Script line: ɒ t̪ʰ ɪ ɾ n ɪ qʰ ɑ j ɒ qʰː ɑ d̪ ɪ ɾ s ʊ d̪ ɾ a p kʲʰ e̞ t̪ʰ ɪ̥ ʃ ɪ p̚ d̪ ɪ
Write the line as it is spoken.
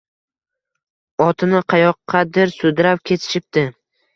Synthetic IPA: ɒ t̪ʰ ɪ n ɪ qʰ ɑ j ɒ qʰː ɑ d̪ ɪ ɾ s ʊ d̪ ɾ a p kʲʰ e̞ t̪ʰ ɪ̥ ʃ ɪ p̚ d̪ ɪ

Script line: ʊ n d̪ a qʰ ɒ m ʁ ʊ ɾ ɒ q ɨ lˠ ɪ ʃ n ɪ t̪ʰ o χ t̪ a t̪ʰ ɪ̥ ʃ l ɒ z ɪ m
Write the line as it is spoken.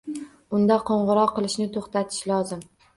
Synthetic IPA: ʊ n d̪ a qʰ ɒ ɴ ʁ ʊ ɾ ɒ q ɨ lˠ ɪ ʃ n ɪ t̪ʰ o χ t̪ a t̪ʰ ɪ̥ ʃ l ɒ z ɪ m

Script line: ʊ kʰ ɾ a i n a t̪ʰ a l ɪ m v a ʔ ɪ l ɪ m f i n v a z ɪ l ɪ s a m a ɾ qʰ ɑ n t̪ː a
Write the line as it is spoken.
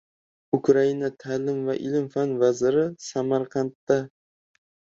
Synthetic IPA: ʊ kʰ ɾ a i n a t̪ʰ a l ɪ m v a ʔ ɪ l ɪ m f a n v a z ɪ ɾ ɪ s a m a ɾ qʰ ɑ n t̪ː a

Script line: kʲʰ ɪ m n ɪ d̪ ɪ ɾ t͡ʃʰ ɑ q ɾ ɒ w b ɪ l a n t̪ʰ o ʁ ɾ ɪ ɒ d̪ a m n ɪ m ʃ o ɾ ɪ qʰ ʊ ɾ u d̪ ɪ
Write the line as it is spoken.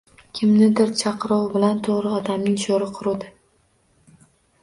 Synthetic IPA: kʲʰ ɪ m n ɪ d̪ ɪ ɾ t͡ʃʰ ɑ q ɾ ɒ w b ɪ l a n t̪ʰ o ʁ ɾ ɪ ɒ d̪ a m n ɪ ŋ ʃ o ɾ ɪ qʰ ʊ ɾ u d̪ ɪ

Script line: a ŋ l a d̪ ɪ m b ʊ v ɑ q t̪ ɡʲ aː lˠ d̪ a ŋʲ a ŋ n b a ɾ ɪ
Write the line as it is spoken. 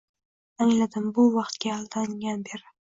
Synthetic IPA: a ŋ l a d̪ ɪ m b ʊ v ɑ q t̪ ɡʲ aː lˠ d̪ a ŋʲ a n b e ɾ ɪ

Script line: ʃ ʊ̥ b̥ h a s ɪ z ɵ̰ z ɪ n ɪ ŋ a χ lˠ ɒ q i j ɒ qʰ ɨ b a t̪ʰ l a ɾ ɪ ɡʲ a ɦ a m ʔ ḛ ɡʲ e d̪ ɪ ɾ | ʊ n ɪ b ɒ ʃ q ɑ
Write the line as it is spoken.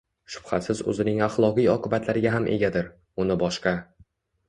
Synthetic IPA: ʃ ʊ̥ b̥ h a s ɪ z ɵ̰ z ɪ n ɪ ŋ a χ lˠ ɒ q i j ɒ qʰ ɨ b a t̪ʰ l a ɾ ɪ ɡʲ a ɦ a m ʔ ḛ ɡʲ a d̪ ɪ ɾ | ʊ n ɪ b ɒ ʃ q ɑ

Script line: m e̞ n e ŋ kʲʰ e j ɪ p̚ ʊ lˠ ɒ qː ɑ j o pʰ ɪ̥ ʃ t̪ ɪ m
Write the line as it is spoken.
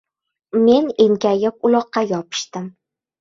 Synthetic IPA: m e̞ n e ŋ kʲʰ a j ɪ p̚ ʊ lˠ ɒ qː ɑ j ɒ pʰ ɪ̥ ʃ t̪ ɪ m

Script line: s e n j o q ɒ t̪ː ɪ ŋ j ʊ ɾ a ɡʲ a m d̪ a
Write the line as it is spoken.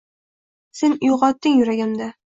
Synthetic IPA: s e n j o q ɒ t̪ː ɪ ŋ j ʊ ɾ a ɡʲ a m d̪ a

